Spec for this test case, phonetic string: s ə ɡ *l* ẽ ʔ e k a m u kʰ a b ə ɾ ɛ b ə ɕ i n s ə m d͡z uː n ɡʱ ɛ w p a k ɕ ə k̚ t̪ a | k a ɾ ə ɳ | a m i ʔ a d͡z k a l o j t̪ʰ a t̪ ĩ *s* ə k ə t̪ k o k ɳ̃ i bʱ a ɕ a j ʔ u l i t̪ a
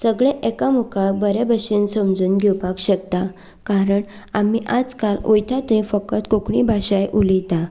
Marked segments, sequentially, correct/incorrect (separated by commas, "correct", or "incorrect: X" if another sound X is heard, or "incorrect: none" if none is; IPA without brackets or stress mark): incorrect: ɭ, incorrect: f